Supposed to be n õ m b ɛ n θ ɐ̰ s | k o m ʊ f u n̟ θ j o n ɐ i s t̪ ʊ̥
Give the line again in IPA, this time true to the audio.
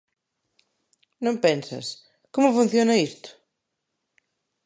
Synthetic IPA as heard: n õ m p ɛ n s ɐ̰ s | k o m ʊ f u n̟ θ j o n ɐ i s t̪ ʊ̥